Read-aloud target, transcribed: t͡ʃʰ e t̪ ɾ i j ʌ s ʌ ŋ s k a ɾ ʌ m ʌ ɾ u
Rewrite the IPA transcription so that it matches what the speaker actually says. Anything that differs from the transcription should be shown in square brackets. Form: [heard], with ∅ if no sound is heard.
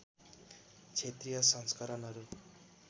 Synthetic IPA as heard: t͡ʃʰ e t̪ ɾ i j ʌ s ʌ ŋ s k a ɾ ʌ [n] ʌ ɾ u